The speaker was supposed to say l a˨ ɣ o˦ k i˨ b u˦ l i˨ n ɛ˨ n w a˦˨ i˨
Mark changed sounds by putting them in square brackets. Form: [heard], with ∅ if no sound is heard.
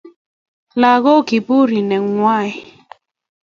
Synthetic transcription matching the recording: l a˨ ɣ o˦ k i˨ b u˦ [ɾ] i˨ n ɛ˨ [ŋ] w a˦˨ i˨